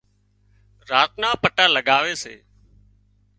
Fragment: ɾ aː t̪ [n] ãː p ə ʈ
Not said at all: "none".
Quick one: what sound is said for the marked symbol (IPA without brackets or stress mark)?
n